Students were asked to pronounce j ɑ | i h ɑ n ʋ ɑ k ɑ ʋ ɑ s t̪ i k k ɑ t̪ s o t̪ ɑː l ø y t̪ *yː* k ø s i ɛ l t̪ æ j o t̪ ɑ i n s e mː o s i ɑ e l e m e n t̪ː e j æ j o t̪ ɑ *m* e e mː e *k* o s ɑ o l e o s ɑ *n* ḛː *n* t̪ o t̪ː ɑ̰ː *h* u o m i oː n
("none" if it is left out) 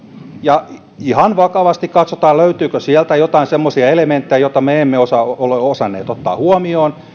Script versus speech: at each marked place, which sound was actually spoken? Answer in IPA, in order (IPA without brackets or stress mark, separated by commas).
yː, m, none, nː, none, h